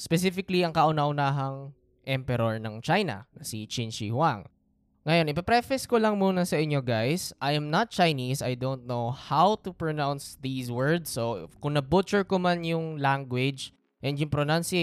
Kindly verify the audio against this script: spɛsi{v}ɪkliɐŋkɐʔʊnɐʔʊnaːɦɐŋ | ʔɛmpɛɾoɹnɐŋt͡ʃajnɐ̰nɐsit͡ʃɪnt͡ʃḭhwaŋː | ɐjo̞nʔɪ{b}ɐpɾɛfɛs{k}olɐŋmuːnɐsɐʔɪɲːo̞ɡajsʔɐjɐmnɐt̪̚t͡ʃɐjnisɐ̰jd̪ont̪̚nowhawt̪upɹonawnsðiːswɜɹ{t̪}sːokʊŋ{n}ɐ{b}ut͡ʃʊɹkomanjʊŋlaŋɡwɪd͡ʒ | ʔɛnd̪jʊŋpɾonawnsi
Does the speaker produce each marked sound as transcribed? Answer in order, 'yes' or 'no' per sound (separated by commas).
no, no, yes, no, yes, yes